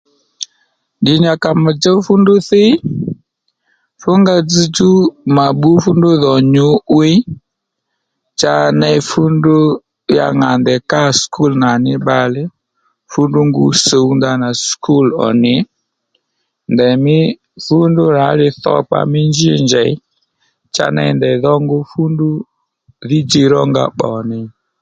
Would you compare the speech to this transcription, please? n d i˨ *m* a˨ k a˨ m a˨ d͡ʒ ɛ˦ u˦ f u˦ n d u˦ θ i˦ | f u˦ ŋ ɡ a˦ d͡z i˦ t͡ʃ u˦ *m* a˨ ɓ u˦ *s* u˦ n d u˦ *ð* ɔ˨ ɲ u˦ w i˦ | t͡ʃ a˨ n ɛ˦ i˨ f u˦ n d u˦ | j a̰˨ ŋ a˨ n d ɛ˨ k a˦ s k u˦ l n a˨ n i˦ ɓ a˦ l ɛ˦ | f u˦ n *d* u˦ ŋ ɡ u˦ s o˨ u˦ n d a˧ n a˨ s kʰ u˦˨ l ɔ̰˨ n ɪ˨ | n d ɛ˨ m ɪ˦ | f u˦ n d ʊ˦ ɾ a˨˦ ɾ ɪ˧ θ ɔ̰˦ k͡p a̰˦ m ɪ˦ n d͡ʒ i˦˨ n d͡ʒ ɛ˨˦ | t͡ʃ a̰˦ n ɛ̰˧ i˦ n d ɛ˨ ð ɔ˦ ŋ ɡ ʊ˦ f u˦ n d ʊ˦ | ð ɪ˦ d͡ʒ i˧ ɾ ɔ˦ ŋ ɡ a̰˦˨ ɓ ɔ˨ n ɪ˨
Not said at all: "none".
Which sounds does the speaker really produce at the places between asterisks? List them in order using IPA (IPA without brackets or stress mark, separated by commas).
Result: ɲ, m, f, ð, d